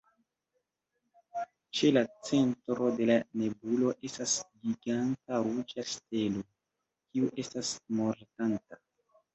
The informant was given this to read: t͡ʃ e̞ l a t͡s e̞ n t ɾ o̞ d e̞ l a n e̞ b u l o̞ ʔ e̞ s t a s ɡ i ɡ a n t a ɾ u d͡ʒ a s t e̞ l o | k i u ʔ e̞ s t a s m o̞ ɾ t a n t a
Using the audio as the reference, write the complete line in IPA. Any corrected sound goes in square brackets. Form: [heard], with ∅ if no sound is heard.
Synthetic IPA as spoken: t͡ʃ e̞ l a t͡s e̞ n t ɾ o̞ d e̞ l a n e̞ b u l o̞ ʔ e̞ s t a s ɡ i ɡ a n t a ɾ u d͡ʒ a s t e̞ l o | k i u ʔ e̞ s t a s m o̞ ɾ t a n t a